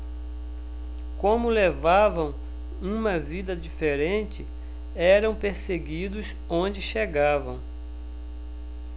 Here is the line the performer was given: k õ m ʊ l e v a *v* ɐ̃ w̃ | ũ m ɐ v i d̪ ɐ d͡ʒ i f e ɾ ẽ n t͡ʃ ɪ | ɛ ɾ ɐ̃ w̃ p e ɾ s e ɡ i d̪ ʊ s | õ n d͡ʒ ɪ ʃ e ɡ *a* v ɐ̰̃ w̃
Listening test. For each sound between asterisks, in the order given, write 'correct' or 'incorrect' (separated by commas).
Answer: correct, correct